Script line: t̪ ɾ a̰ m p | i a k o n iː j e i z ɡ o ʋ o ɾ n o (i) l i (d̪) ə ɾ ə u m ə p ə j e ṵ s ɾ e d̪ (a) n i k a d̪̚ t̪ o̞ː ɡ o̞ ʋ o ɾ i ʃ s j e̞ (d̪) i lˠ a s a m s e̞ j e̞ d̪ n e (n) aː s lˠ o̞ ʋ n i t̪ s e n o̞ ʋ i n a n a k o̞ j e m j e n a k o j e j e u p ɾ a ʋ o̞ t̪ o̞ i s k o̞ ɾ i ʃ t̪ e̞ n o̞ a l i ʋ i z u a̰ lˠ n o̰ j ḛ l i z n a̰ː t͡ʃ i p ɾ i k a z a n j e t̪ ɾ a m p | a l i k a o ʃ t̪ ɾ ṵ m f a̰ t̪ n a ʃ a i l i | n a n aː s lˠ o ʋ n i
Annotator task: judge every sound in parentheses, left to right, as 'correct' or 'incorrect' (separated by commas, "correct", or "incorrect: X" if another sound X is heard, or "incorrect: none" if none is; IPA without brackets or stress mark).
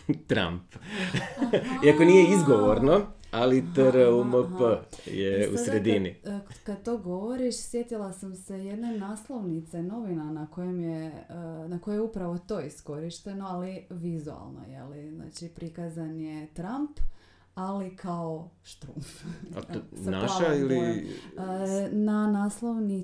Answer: incorrect: a, incorrect: t̪, incorrect: i, incorrect: t̪, correct